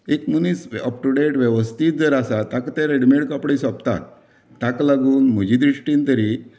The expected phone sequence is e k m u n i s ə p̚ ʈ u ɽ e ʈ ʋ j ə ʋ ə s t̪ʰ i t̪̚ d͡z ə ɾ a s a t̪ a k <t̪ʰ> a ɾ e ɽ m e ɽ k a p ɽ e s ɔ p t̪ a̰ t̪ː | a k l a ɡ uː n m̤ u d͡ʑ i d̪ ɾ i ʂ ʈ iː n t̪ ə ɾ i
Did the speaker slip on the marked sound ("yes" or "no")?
yes